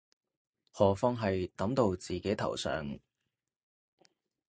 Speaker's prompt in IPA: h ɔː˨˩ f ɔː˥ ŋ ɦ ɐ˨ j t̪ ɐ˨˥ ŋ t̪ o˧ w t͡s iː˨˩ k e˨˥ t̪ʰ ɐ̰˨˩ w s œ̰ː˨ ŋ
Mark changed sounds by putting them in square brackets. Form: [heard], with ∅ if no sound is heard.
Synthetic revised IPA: h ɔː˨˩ f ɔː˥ ŋ ɦ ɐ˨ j t̪ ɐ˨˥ [m] t̪ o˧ w t͡s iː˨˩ k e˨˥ t̪ʰ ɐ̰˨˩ w s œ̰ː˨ ŋ